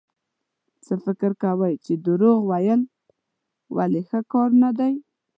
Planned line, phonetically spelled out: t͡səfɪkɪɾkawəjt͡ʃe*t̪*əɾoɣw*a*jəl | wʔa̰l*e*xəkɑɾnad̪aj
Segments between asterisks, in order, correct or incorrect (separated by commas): incorrect, correct, correct